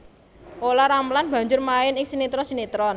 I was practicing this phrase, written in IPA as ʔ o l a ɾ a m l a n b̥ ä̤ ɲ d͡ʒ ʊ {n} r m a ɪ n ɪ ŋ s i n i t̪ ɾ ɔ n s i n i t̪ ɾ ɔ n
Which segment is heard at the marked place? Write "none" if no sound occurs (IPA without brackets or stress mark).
none